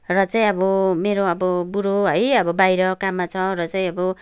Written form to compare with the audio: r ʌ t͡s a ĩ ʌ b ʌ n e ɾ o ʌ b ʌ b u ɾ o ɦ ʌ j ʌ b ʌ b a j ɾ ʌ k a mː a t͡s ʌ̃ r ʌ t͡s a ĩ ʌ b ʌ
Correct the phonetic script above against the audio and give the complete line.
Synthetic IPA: r ʌ t͡s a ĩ ʌ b ʌ m e ɾ o ʌ b ʌ b u ɾ o ɦ ʌ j ʌ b ʌ b a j ɾ ʌ k a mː a t͡sʰ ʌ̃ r ʌ t͡s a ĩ ʌ b ʌ

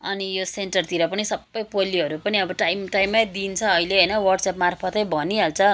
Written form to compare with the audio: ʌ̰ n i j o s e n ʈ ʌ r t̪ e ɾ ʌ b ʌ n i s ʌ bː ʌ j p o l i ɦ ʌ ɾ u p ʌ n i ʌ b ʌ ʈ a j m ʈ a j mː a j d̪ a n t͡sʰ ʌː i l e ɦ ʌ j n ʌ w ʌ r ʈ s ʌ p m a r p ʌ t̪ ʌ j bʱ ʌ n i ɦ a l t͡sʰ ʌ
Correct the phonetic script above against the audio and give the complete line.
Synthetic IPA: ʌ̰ n i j o s e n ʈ ʌ r t̪ i ɾ ʌ p ʌ n i s ʌ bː ʌ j p o l i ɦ ʌ ɾ u p ʌ n i ʌ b ʌ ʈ a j m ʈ a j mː a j d̪ i n t͡sʰ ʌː i l e ɦ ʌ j n ʌ w ʌ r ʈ s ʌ p m a r pʰ ʌ t̪ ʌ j bʱ ʌ n i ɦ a l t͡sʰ ʌ

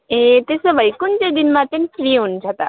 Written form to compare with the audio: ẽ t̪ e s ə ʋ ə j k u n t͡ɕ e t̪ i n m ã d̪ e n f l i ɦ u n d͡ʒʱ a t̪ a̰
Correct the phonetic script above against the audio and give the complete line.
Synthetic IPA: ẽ t̪ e s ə ʋ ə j k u n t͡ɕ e d̪ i n m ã t̪ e n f ɾ i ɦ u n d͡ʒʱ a t̪ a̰

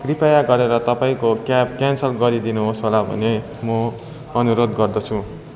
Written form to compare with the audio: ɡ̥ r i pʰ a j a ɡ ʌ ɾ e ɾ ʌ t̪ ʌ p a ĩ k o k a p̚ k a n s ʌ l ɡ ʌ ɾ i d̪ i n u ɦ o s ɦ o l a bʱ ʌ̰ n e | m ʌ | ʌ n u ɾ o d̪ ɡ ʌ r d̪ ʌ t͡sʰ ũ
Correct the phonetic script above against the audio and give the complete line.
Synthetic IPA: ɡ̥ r i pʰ a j a ɡ ʌ ɾ e ɾ ʌ t̪ ʌ p a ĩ k o k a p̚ k a n s ʌ l ɡ ʌ ɾ i d̪ i n u ɦ o s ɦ o l a bʱ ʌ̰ n e | m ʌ | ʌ n u ɾ o d̪ ɡ ʌ r d̪ ʌ t͡sʰ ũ

